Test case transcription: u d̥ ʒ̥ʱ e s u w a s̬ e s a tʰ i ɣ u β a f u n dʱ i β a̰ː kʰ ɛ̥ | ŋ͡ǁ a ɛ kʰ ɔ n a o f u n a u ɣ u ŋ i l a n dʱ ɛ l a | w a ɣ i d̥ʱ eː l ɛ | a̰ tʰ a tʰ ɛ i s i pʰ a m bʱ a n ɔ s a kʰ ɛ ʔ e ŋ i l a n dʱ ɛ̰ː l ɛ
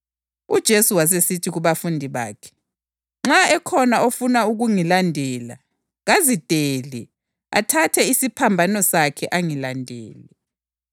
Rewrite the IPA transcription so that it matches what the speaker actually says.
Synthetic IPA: u d̥ ʒ̥ʱ e s u w a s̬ e s i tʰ i ɣ u β a f u n dʱ i β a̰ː kʰ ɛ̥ | ŋ͡ǁ a ɛ kʰ ɔ n a o f u n a u ɣ u ŋ i l a n dʱ ɛ l a | ɣ a z i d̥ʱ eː l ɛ | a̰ tʰ a tʰ ɛ i s i pʰ a m bʱ a n ɔ s a kʰ ɛ ʔ a ŋ i l a n dʱ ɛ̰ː l ɛ